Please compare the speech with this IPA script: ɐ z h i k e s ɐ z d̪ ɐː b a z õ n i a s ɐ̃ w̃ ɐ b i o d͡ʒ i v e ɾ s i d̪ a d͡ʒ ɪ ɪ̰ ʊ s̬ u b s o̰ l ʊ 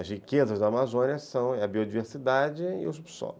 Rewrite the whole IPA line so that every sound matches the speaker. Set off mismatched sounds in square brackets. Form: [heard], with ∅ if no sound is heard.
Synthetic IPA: ɐ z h i k e [z] ɐ z d̪ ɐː [m] a z õ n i [ɐ] s ɐ̃ w̃ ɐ b i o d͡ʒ i v e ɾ s i d̪ a d͡ʒ ɪ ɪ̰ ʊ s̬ u b s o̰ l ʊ